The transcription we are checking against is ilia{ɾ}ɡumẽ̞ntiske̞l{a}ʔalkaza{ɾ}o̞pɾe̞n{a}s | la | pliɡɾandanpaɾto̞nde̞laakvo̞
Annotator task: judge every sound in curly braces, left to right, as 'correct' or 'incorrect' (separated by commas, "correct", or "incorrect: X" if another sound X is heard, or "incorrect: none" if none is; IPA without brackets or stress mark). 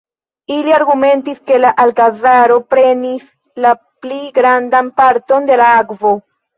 correct, correct, correct, incorrect: i